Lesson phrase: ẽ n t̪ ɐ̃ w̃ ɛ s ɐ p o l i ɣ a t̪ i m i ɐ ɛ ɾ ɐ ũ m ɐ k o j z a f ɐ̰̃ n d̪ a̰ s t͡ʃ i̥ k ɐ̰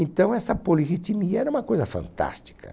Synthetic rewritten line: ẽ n t̪ ɐ̃ w̃ ɛ s ɐ p o l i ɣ i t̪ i m i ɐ ɛ ɾ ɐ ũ m ɐ k o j z ɐ f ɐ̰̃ n t̪ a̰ s t͡ʃ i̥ k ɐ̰